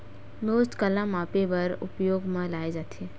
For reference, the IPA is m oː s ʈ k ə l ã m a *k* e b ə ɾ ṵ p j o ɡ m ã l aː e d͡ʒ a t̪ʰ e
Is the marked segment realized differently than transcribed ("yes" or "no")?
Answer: yes